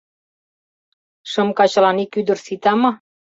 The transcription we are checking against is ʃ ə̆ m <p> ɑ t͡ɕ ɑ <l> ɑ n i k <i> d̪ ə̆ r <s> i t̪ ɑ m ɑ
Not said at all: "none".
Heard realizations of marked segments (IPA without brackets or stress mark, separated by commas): k, l, y, s